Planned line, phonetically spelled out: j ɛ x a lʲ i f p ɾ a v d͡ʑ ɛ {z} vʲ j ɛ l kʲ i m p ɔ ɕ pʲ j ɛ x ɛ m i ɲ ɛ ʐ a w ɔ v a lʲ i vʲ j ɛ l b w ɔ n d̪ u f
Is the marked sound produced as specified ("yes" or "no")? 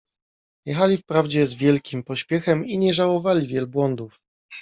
yes